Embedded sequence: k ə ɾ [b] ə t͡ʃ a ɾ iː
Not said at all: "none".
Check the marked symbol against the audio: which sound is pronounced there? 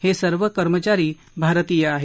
m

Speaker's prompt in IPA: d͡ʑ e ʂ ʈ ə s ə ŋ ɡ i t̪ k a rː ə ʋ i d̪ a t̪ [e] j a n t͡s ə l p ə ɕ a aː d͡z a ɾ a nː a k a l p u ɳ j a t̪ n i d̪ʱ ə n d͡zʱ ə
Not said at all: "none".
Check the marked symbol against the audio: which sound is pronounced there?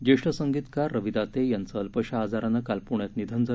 e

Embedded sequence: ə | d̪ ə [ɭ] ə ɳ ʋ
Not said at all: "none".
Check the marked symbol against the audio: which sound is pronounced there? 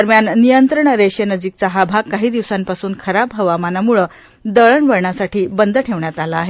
ɭ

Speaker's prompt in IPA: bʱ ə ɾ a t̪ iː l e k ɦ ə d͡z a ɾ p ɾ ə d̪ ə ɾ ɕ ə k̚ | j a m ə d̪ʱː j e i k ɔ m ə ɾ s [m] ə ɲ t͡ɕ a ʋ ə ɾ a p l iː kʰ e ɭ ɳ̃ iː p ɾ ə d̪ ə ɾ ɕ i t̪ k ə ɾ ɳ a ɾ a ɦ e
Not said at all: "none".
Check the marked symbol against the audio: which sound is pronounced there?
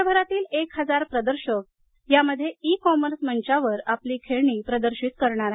m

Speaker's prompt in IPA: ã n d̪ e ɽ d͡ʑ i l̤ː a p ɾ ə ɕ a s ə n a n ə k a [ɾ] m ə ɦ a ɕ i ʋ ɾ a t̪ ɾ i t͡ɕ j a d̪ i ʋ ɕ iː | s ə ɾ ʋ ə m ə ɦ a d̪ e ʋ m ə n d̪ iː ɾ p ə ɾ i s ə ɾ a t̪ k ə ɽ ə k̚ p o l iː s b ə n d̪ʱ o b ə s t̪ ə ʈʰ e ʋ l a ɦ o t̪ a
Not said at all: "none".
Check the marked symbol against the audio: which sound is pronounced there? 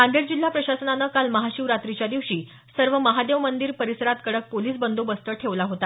l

